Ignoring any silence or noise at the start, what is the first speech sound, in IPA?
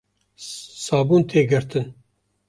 s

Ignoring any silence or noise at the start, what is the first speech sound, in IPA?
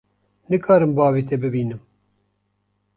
n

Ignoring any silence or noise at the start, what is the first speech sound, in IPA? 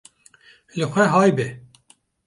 l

